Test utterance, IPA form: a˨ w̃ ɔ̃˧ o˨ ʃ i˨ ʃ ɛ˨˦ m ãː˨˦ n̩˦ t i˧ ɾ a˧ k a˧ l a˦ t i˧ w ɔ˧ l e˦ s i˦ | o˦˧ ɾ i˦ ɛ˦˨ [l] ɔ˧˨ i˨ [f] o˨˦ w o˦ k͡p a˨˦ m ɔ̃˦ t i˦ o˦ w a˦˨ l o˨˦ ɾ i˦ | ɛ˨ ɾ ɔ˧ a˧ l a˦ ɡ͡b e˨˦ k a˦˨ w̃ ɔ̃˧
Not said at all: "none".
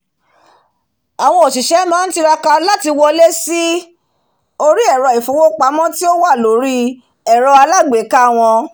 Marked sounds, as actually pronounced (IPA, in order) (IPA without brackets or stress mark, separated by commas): ɾ, f